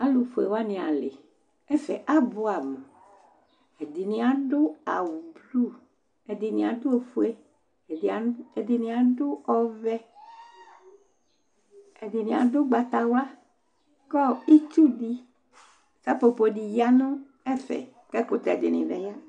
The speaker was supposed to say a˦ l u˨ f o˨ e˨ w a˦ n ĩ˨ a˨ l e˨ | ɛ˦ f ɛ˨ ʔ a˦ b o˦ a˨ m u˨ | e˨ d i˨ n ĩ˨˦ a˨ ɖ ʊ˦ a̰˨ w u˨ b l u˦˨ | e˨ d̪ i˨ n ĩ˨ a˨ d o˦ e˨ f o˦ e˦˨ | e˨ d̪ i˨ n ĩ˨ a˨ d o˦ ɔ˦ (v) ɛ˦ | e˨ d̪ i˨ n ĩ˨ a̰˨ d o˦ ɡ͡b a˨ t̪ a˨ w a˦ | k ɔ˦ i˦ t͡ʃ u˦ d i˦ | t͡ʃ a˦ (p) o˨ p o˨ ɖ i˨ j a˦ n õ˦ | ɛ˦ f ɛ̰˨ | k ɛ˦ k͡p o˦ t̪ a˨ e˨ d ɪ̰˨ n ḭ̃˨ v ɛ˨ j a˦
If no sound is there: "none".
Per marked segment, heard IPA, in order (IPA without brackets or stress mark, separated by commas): v, p